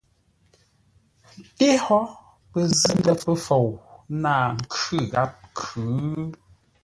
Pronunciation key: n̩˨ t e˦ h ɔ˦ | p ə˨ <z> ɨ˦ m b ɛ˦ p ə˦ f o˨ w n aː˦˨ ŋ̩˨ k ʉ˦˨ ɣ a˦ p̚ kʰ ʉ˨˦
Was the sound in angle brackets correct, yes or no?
yes